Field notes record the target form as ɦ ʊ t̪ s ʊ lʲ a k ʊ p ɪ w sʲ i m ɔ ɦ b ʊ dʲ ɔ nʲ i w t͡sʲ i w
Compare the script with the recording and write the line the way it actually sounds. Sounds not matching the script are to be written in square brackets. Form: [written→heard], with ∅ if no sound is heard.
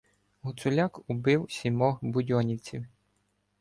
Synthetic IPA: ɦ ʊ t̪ s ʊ lʲ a k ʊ [p→b] ɪ w sʲ i m ɔ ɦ b ʊ dʲ ɔ nʲ i w t͡sʲ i w